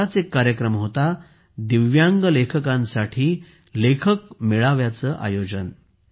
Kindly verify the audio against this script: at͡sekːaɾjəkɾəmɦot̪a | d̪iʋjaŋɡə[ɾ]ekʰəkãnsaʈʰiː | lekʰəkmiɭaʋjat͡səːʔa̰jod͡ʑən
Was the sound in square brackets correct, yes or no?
no